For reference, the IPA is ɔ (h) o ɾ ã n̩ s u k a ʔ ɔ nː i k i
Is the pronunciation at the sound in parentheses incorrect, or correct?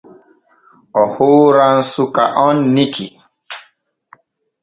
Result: correct